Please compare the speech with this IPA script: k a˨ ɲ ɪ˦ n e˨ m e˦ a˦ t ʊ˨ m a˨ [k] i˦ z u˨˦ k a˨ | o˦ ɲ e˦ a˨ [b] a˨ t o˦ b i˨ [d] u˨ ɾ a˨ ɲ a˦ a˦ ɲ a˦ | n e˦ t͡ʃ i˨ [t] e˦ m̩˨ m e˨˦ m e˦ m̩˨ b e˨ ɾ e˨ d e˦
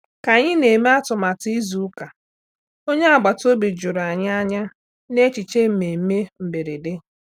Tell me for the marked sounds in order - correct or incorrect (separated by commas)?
incorrect, incorrect, incorrect, incorrect